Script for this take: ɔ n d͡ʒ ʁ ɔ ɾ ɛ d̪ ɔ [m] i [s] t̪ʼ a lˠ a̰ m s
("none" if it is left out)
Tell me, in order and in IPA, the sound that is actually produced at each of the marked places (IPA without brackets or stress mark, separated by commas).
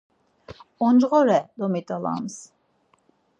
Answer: m, none